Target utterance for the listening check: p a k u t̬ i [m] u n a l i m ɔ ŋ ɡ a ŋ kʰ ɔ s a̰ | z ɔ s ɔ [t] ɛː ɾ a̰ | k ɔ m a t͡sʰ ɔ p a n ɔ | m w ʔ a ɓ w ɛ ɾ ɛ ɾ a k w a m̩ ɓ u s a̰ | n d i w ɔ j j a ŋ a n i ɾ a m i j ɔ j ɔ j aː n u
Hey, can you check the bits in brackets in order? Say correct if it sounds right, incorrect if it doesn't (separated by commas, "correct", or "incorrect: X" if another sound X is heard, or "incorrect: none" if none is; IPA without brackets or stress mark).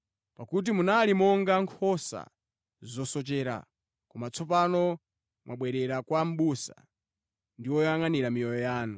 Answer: correct, incorrect: t͡ʃ